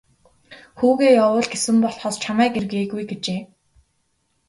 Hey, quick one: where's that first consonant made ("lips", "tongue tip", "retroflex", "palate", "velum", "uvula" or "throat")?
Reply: velum